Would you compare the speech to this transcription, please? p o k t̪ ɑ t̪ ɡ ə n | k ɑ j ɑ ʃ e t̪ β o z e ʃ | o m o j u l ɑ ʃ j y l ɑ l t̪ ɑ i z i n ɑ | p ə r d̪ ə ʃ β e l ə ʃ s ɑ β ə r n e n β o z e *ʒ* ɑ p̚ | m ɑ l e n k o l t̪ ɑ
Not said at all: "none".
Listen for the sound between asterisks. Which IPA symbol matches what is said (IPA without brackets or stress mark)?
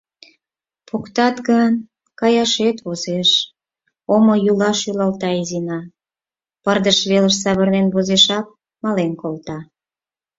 ʃ